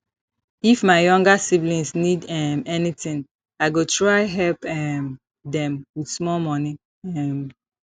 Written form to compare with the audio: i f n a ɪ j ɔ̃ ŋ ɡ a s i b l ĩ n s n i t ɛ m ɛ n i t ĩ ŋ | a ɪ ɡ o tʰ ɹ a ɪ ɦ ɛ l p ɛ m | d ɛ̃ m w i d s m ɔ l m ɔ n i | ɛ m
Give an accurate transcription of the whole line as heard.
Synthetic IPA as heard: i f m a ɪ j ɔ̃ ŋ ɡ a s i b l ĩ n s n i d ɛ m ɛ n i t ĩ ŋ | a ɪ ɡ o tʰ ɹ a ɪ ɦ ɛ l p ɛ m | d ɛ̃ m w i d s m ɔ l m ɔ n i | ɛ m